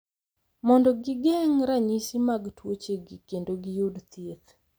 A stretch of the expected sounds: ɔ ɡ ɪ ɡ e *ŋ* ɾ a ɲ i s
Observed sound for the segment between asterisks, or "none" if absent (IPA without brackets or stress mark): ŋ